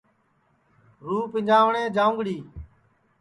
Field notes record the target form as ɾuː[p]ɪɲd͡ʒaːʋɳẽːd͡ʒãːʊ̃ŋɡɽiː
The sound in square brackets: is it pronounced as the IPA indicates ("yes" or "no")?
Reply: yes